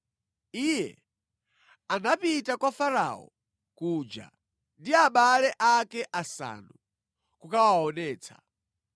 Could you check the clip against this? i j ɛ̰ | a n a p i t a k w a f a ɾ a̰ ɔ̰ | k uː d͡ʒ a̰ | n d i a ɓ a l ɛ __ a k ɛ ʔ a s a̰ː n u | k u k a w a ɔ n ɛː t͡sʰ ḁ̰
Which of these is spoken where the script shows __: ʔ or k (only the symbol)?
ʔ